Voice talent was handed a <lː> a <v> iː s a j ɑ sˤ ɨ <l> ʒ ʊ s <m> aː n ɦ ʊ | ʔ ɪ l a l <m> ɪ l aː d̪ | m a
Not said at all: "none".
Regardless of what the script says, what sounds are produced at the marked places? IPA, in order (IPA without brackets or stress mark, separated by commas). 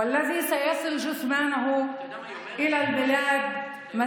lː, ð, l, m, b